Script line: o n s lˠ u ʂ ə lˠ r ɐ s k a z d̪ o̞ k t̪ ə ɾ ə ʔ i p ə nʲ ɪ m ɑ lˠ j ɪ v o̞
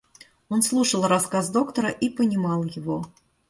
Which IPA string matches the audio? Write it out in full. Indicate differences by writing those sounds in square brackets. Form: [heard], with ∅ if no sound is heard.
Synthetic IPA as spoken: o n s lˠ u ʂ ə lˠ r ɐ s k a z d̪ o̞ k t̪ ə ɾ ə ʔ i p ə nʲ ɪ m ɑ lˠ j ɪ v o̞